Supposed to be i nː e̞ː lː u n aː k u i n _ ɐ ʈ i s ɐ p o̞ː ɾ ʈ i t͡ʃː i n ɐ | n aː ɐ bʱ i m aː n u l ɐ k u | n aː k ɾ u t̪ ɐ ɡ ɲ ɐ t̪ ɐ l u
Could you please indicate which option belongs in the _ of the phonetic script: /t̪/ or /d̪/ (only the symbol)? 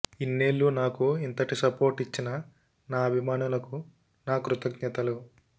t̪